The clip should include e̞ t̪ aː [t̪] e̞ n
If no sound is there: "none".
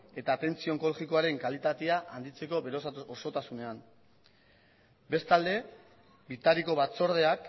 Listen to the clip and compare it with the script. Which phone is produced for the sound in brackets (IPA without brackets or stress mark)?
t̪